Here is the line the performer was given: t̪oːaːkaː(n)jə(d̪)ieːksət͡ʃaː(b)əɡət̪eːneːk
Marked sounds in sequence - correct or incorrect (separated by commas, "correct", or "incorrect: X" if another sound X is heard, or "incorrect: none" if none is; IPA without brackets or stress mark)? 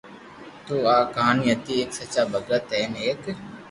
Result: correct, incorrect: t̪, correct